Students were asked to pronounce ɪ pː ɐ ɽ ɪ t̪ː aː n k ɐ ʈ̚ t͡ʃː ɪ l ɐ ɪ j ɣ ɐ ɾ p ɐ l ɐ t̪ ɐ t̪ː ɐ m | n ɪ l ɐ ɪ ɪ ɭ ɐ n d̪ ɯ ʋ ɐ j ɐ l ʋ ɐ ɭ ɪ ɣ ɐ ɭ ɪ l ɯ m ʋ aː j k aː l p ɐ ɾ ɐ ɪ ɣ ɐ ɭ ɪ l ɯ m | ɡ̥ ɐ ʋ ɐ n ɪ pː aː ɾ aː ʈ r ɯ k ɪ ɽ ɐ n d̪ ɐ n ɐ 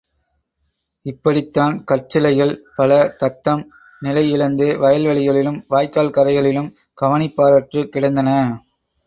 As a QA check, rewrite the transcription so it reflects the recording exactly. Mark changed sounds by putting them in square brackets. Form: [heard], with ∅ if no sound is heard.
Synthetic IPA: ɪ pː ɐ ɽ ɪ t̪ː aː n k ɐ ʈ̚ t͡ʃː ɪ l ɐ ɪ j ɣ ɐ [ɭ] p ɐ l ɐ t̪ ɐ t̪ː ɐ m | n ɪ l ɐ ɪ ɪ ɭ ɐ n d̪ ɯ ʋ ɐ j ɐ l ʋ ɐ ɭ ɪ ɣ ɐ ɭ ɪ l ɯ m ʋ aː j k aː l [k] ɐ ɾ ɐ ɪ ɣ ɐ ɭ ɪ l ɯ m | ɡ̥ ɐ ʋ ɐ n ɪ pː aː ɾ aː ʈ r ɯ k ɪ ɽ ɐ n d̪ ɐ n ɐ